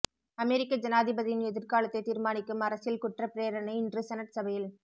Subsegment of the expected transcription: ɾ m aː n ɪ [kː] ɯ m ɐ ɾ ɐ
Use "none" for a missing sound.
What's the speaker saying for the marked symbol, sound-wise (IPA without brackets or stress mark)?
kː